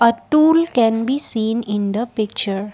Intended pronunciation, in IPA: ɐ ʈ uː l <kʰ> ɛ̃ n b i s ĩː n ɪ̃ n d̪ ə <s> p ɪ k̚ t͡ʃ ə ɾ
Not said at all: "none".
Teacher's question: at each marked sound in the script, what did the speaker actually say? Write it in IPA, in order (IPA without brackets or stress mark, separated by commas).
k, none